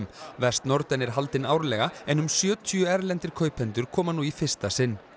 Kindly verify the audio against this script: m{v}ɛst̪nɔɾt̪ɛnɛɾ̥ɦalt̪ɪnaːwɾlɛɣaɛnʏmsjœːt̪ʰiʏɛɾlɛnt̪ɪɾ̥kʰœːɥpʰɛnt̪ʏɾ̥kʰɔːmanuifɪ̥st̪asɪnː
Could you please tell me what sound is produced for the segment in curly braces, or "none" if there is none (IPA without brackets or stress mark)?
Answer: v